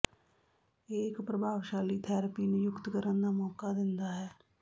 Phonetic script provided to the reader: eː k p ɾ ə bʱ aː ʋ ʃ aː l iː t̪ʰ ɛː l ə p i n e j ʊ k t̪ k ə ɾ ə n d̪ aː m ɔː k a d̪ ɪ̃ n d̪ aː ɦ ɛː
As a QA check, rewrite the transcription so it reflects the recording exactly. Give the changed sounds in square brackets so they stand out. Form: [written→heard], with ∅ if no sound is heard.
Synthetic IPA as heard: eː k p ɾ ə bʱ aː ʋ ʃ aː l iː t̪ʰ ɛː [l→ɾ] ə p i n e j ʊ k t̪ k ə ɾ ə n d̪ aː m ɔː k a d̪ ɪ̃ n d̪ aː ɦ ɛː